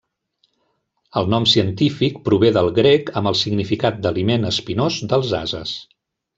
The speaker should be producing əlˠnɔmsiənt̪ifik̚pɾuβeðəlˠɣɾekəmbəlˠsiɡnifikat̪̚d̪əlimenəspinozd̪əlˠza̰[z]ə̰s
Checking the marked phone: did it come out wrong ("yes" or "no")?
no